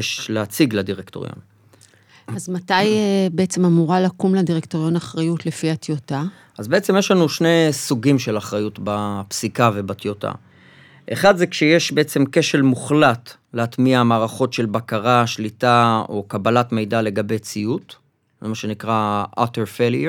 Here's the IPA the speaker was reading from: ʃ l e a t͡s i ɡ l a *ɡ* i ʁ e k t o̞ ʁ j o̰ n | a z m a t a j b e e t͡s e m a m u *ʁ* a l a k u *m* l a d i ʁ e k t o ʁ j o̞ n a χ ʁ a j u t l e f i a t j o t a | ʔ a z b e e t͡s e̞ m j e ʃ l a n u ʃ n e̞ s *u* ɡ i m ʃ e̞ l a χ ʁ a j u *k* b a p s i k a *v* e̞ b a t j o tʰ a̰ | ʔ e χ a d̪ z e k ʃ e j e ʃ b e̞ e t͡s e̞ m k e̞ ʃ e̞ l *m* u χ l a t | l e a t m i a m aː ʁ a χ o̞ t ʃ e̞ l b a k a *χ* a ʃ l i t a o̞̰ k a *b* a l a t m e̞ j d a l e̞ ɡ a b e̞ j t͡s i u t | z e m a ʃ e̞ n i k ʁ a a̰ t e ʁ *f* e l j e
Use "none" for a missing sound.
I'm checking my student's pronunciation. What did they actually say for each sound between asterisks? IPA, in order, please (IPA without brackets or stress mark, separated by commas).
d, ʁ, m, u, t, v, m, ʁ, b, f